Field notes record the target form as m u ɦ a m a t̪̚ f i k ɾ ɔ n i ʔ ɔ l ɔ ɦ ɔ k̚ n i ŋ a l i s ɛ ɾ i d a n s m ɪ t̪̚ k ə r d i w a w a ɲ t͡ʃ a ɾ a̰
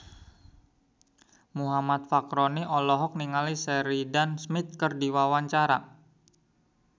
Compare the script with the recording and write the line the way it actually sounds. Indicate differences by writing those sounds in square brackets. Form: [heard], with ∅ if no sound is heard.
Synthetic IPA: m u ɦ a m a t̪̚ f [a] k ɾ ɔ n i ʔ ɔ l ɔ ɦ ɔ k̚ n i ŋ a l i s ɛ ɾ i d a n s m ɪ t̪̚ k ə r d i w a w a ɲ t͡ʃ a ɾ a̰